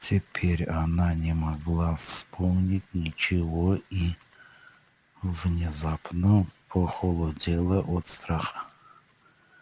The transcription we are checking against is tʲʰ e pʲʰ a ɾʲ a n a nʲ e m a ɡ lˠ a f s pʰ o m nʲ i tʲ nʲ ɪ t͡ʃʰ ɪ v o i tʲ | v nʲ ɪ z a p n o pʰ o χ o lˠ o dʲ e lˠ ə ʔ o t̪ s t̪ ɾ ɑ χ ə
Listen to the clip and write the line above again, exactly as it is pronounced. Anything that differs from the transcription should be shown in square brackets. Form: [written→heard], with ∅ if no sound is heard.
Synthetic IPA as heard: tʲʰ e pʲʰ [a→e] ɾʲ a n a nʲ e m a ɡ lˠ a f s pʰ o m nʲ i tʲ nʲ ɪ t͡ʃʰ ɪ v o i [tʲ→∅] | v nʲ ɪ z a p n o pʰ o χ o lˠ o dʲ e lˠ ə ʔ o t̪ s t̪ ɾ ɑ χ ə

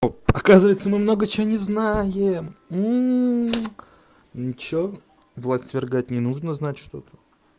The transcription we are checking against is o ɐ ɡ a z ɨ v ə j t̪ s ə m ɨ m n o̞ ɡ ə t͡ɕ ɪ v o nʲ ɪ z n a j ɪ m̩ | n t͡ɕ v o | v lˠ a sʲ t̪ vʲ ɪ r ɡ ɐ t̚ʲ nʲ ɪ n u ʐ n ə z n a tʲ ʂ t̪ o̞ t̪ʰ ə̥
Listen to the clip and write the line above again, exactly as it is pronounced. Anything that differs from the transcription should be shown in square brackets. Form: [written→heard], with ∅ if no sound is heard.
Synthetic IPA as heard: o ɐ [ɡ→k] a z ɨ v ə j t̪ s ə m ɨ m n o̞ ɡ ə t͡ɕ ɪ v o nʲ ɪ z n a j ɪ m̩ | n t͡ɕ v o | v lˠ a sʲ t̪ vʲ ɪ r ɡ [ɐ→a] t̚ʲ nʲ ɪ n u ʐ n ə z n a tʲ ʂ t̪ o̞ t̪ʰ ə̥

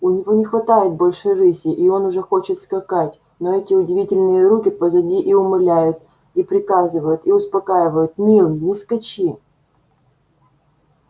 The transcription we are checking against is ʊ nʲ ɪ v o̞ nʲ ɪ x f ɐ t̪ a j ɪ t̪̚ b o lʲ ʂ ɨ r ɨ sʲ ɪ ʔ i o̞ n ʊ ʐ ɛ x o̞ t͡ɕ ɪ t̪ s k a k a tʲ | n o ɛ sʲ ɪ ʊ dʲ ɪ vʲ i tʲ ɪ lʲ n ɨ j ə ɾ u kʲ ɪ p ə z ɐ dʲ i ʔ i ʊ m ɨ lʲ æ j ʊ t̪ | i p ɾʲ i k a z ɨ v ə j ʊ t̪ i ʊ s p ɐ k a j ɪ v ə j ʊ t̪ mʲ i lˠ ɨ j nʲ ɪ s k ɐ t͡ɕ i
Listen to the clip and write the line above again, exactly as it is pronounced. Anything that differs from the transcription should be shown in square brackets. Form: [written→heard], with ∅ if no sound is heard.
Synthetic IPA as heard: ʊ nʲ ɪ v o̞ nʲ ɪ x [f→v] ɐ t̪ a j ɪ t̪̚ b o lʲ ʂ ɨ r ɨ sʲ ɪ ʔ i o̞ n ʊ ʐ ɛ x o̞ t͡ɕ ɪ t̪ s k [a→ɐ] k a tʲ | n o ɛ [sʲ→tʲ] ɪ ʊ dʲ ɪ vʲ i tʲ ɪ lʲ n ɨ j ə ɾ u kʲ ɪ p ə z ɐ dʲ i ʔ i ʊ m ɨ lʲ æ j ʊ t̪ | i p ɾʲ [i→ɪ] k a z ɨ v ə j ʊ t̪ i ʊ s p ɐ k a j ɪ v ə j ʊ t̪ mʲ i lˠ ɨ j nʲ ɪ s k ɐ t͡ɕ i

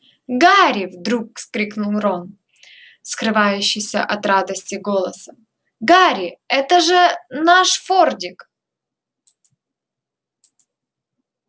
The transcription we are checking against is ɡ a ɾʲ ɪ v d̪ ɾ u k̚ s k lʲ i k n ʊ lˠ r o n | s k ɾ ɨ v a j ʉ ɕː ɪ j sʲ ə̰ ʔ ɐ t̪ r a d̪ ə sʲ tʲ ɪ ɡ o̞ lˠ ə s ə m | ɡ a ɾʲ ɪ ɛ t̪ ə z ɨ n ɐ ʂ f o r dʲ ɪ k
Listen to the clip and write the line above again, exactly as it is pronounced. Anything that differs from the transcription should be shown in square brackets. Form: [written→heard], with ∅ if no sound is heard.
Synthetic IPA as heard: ɡ a ɾʲ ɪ v d̪ ɾ u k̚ s k [lʲ→ɾʲ] i k n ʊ lˠ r o n | s k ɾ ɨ v a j ʉ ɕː ɪ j sʲ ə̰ ʔ ɐ t̪ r a d̪ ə sʲ tʲ ɪ ɡ o̞ lˠ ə s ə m | ɡ a ɾʲ ɪ ɛ t̪ ə [z→ʐ] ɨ n [ɐ→a] ʂ f o r dʲ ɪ k

